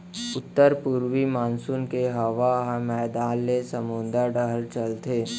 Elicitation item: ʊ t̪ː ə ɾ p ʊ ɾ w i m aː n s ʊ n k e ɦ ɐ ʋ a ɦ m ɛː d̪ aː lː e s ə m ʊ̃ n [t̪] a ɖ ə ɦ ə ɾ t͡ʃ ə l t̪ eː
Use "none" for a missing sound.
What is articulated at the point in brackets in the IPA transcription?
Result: d̪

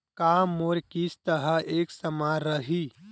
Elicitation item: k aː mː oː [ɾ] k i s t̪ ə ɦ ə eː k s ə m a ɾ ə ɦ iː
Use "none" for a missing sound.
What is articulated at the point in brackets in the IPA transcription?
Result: ɾ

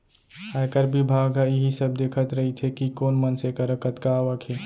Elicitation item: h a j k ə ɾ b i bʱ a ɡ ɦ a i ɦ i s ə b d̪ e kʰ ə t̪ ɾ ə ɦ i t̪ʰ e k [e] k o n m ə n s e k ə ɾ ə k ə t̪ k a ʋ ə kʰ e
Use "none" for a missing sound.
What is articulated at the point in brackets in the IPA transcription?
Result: i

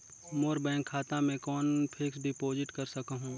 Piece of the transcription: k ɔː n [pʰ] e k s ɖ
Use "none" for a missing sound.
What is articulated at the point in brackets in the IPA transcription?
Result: pʰ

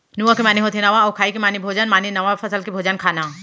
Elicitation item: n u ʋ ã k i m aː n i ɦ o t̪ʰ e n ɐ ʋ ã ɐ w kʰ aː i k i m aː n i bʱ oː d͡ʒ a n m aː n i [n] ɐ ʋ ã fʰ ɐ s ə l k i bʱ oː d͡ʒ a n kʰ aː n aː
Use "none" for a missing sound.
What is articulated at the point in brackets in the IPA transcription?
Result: n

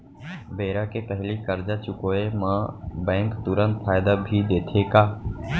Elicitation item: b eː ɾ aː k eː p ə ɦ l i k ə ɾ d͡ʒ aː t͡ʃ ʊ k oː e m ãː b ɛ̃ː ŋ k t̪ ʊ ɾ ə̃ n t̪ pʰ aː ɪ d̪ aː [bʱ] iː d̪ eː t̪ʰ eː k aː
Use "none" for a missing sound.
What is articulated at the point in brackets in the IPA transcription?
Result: bʱ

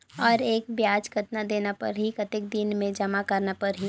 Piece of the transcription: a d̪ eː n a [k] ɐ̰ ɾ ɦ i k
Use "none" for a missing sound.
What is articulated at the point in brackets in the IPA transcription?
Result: p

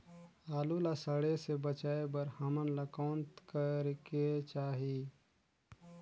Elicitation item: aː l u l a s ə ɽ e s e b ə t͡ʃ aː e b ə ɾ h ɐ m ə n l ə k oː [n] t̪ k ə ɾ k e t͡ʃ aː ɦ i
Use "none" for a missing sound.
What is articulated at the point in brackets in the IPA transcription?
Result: n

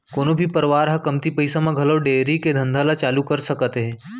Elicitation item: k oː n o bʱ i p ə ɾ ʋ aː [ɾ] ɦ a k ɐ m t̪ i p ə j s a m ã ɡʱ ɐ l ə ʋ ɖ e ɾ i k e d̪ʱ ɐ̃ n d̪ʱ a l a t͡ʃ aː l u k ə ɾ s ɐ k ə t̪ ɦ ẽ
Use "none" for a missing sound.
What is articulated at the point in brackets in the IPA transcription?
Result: ɾ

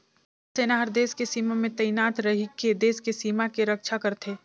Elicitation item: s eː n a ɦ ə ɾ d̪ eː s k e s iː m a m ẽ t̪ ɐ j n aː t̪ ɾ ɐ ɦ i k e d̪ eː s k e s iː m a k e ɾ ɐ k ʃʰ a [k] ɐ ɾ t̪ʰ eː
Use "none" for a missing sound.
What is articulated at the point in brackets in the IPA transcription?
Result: k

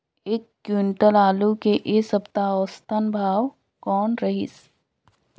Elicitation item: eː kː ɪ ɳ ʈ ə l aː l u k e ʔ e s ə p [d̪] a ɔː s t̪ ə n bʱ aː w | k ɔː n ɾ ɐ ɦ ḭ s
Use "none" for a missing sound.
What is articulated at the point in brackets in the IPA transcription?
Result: t̪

